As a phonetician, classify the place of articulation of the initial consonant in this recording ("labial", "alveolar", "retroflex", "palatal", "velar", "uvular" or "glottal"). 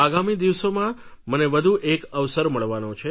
velar